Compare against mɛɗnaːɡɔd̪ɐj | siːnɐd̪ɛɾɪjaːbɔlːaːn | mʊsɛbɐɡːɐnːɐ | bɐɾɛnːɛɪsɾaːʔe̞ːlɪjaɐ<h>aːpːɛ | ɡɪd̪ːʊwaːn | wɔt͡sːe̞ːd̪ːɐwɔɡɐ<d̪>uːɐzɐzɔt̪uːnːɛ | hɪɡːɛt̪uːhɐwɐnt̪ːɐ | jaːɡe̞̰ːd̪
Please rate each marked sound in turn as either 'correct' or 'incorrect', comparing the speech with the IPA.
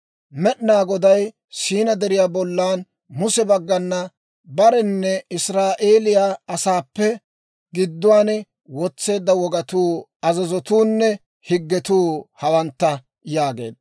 incorrect, incorrect

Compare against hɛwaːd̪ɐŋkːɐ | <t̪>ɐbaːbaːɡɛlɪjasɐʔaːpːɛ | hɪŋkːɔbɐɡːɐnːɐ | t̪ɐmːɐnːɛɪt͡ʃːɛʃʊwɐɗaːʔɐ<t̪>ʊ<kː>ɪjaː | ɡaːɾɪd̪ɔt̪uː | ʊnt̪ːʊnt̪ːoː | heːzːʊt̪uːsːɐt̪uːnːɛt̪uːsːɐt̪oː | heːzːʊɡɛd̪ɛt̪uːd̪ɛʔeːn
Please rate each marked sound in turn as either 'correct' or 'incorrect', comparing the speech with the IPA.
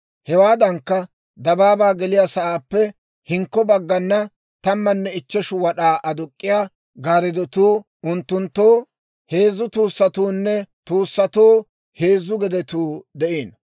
incorrect, incorrect, incorrect

